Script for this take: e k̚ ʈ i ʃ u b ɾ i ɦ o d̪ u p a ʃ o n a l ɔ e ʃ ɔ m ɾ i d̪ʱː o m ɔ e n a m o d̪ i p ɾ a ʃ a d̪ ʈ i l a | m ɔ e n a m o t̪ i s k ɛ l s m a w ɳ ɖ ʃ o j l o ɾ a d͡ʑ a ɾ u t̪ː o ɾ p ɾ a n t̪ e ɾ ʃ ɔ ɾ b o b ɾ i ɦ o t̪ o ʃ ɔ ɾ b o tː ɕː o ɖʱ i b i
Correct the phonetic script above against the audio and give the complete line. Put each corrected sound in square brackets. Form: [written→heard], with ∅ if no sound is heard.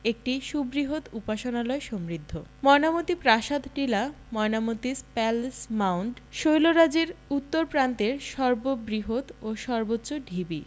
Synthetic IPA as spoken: e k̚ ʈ i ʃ u b ɾ i ɦ o [d̪→t̪] u p a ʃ o n a l ɔ e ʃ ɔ m ɾ i d̪ʱː o m ɔ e n a m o [d̪→t̪] i p ɾ a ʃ a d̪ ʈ i l a | m ɔ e n a m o t̪ i s [k→p] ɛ l s m a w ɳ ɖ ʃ o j l o ɾ a d͡ʑ [a→e] ɾ u t̪ː o ɾ p ɾ a n t̪ e ɾ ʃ ɔ ɾ b o b ɾ i ɦ o t̪ o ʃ ɔ ɾ b o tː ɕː o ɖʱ i b i